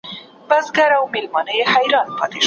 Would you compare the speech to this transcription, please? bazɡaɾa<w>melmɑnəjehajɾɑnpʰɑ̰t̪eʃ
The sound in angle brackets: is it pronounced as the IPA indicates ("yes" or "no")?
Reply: yes